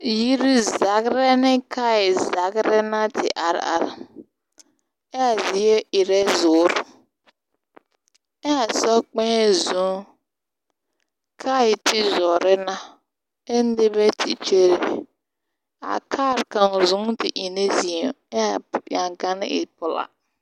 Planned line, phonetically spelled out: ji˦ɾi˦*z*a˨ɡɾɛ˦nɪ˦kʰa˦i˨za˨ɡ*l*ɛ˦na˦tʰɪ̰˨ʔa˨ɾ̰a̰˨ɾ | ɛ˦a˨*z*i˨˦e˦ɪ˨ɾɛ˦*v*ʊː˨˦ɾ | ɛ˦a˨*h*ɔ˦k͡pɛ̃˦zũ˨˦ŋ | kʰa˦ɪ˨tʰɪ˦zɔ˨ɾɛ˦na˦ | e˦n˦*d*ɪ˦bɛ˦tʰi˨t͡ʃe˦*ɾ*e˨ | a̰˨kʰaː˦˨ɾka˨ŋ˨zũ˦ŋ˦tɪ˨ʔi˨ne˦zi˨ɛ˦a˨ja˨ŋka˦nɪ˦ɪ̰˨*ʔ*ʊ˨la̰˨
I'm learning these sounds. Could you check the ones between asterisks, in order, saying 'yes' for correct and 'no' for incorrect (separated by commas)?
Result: yes, no, yes, no, no, yes, yes, no